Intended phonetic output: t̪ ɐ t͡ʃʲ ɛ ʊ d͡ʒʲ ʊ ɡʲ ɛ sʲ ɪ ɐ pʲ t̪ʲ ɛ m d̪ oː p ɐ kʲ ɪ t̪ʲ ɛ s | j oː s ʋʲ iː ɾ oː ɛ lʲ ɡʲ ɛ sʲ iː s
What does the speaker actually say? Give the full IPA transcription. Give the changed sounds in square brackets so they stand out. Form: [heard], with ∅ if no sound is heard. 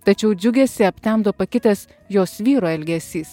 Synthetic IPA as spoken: t̪ ɐ t͡ʃʲ ɛ ʊ d͡ʒʲ ʊ ɡʲ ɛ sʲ ɪ ɐ pʲ t̪ʲ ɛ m d̪ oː p ɐ kʲ ɪ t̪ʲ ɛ s | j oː s ʋʲ iː ɾ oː ɛ lʲ ɡʲ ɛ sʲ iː s